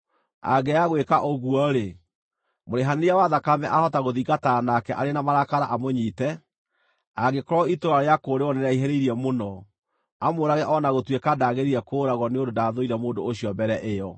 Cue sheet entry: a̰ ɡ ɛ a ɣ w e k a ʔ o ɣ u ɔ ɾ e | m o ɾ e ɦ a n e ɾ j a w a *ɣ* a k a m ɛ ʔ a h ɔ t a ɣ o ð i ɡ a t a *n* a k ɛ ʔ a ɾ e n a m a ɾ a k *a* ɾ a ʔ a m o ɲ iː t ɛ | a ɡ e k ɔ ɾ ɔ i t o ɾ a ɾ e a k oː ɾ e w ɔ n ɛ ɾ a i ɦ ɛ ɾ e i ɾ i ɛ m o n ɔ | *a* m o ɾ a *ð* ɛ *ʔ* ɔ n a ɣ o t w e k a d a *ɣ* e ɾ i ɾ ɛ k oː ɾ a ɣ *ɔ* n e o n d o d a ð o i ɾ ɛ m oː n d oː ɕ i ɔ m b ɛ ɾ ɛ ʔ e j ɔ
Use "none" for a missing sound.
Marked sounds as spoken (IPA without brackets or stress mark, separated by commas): ð, n, a, a, ɣ, ʔ, ɣ, ɔ